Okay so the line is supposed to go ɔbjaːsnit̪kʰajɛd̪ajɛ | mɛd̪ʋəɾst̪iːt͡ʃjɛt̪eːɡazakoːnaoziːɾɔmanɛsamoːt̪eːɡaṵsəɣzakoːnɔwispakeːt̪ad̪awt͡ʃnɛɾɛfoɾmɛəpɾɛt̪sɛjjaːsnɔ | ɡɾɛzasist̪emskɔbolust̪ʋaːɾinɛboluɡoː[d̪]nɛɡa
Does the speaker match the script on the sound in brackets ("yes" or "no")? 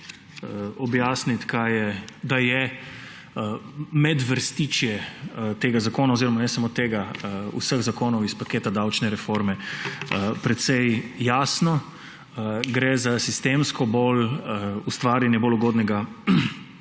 yes